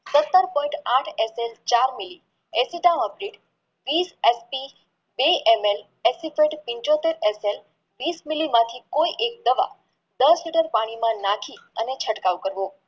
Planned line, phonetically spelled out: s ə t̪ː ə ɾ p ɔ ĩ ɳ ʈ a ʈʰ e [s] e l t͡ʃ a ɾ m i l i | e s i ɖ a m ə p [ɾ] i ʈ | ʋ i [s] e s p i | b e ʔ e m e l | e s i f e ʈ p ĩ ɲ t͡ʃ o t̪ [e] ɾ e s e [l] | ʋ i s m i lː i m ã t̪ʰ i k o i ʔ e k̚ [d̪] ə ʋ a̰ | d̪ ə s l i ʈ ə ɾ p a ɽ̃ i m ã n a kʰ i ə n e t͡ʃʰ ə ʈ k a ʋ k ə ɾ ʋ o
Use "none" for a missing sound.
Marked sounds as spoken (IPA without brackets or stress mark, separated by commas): s, ɾ, s, e, l, d̪